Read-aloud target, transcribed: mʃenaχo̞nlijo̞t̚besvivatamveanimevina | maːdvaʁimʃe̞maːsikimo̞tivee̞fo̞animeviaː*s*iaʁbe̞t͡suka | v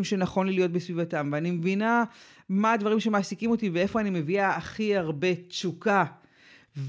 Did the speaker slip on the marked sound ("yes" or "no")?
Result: yes